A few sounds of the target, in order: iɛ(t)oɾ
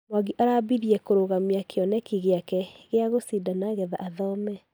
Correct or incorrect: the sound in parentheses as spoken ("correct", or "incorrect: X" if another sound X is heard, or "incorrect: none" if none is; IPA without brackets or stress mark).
incorrect: k